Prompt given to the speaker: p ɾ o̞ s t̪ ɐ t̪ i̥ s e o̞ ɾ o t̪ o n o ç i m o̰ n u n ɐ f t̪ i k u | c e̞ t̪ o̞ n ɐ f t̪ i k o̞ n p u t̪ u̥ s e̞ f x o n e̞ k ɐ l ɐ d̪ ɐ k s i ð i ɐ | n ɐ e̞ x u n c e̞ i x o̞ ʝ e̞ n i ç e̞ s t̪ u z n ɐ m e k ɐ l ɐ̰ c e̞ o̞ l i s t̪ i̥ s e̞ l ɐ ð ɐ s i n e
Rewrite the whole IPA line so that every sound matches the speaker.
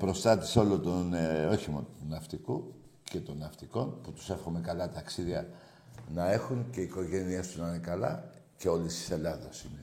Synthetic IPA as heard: p ɾ o̞ s t̪ ɐ t̪ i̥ s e o̞ l o t̪ o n o ç i m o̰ n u n ɐ f t̪ i k u | c e̞ t̪ o̞ n ɐ f t̪ i k o̞ n p u t̪ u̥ s e̞ f x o m e̞ k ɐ l ɐ t̪ ɐ k s i ð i ɐ | n ɐ e̞ x u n c e̞ i k o̞ ʝ e̞ n i e̞ s t̪ u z n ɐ n e k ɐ l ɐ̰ c e̞ o̞ l i s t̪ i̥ s e̞ l ɐ ð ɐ s i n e